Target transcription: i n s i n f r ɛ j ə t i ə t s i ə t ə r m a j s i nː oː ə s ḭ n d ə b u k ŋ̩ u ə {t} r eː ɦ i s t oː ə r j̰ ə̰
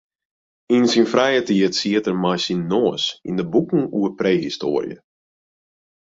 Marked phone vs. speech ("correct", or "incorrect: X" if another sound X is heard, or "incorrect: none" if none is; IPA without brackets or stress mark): incorrect: p